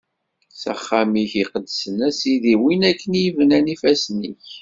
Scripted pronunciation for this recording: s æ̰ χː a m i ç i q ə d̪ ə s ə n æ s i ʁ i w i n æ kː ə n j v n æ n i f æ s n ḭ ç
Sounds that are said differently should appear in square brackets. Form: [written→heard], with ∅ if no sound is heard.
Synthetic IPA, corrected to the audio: s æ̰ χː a m i ç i q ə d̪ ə s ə n æ s i [ʁ→ð] i w i n æ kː ə n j v n æ n i f æ s n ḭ ç